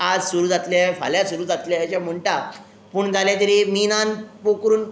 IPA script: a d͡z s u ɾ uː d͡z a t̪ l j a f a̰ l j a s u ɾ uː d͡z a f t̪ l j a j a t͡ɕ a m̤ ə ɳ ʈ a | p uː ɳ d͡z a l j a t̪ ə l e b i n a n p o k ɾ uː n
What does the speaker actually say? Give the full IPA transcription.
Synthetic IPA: a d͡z s u ɾ uː d͡z a t̪ l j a f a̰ l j a s u ɾ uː d͡z a t̪ l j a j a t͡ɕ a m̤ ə ɳ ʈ a | p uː ɳ d͡z a l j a t̪ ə ɾ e m i n a n p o k ɾ uː n